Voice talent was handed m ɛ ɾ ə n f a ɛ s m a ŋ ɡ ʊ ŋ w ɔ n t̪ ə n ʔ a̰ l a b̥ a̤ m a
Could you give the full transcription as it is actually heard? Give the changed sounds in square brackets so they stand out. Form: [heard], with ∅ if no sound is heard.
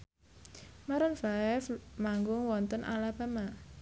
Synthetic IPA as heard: m [a] ɾ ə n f a ɛ [f] m a ŋ ɡ ʊ ŋ w ɔ n t̪ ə n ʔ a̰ l a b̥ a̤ m a

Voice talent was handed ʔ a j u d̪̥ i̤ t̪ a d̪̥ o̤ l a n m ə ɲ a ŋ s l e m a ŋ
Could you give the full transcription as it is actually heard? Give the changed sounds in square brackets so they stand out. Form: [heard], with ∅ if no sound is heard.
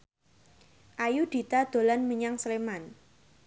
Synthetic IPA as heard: ʔ a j u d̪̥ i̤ t̪ a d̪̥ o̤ l a n m ə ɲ a ŋ s l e m a [n]

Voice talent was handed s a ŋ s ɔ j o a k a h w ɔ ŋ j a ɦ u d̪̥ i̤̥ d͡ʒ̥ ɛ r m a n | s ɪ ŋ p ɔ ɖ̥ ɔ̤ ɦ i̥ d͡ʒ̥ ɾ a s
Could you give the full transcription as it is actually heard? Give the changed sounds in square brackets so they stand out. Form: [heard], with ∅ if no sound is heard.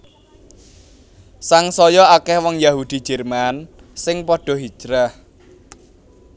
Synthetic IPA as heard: s a ŋ s ɔ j [ɔ] a k [ɛ] h w ɔ ŋ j a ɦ u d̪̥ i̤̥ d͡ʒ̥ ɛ r m a n | s ɪ ŋ p ɔ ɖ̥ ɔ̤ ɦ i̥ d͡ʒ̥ ɾ a [h]

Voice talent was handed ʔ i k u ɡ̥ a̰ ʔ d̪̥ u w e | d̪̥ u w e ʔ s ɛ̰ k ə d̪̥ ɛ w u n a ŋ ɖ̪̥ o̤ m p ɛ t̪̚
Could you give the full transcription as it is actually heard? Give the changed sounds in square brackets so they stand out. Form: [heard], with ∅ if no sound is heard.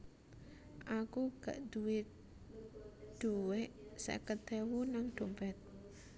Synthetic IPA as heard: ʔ [a] k u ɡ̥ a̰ ʔ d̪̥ u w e | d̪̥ u w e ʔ s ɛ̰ k ə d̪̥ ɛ w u n a ŋ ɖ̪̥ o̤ m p ɛ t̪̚

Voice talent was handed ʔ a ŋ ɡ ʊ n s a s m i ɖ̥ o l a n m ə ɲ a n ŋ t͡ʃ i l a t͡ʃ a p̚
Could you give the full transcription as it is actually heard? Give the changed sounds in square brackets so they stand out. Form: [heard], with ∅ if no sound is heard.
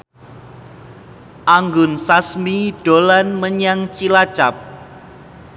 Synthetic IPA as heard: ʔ a ŋ ɡ ʊ n s a s m i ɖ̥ o l a n m ə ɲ a [∅] ŋ t͡ʃ i l a t͡ʃ a p̚

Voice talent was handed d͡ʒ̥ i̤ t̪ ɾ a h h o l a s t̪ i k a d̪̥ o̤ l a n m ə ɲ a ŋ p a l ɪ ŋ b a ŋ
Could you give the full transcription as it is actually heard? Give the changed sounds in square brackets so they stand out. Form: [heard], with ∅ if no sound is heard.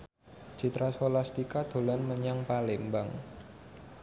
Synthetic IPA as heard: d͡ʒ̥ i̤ t̪ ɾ a [s] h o l a s t̪ i k a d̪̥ o̤ l a n m ə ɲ a ŋ p a l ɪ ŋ b a ŋ

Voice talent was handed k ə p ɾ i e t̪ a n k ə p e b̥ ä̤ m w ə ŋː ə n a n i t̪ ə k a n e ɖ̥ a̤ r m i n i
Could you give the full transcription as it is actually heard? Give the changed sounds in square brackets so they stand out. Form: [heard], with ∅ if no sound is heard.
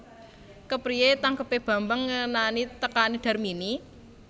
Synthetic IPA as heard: k ə p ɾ i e t̪ a [ŋ] k ə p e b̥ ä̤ m [b] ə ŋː ə n a n i t̪ ə k a n [i] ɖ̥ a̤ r m i n i

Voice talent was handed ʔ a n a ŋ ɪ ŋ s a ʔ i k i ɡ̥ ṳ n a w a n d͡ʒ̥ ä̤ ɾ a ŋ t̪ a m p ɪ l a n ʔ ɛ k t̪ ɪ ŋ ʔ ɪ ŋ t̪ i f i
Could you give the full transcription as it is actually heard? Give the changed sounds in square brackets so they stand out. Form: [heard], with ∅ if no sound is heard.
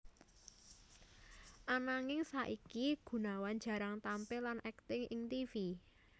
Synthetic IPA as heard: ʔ a n a ŋ ɪ ŋ s a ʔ i k i ɡ̥ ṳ n a w a n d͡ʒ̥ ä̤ ɾ a ŋ t̪ a m p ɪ l a n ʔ ɛ k t̪ ɪ ŋ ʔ ɪ ŋ t̪ i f i

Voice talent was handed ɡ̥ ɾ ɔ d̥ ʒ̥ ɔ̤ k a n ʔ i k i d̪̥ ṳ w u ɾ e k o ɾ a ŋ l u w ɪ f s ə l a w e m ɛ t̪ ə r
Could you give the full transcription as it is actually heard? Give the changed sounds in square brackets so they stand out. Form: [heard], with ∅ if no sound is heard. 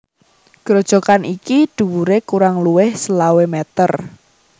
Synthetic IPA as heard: ɡ̥ ɾ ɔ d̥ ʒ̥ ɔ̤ k a n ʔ i k i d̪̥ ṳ w u ɾ e k [u] ɾ a ŋ l u w ɪ [h] s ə l a w e m ɛ t̪ ə r

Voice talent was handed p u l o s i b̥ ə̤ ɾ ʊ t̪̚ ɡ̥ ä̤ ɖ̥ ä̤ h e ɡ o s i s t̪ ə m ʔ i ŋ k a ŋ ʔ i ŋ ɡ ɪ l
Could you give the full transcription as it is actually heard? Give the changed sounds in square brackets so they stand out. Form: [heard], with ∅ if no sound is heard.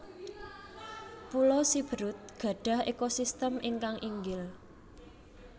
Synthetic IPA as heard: p u l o s i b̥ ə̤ ɾ ʊ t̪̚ ɡ̥ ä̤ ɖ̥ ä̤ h e [k] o s i s t̪ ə m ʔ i ŋ k a ŋ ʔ i ŋ ɡ ɪ l

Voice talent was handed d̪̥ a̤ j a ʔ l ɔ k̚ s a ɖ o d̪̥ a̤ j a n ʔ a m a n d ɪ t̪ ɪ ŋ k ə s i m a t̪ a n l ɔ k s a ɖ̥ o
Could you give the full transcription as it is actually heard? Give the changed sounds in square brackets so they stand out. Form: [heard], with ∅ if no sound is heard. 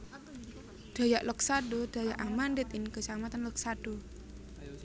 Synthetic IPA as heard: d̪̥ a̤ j a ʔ l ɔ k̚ s a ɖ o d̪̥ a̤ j a [∅] ʔ a m a n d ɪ t̪ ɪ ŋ k ə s [a] m a t̪ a n l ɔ k s a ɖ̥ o

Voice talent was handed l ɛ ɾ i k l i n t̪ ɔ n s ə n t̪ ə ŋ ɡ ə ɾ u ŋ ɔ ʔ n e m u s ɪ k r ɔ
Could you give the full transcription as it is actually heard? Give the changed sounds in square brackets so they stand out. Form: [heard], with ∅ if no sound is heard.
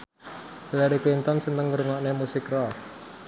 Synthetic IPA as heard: l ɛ ɾ i k l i n t̪ ɔ n s ə n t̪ ə ŋ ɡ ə ɾ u ŋ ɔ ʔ n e m u s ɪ k r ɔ

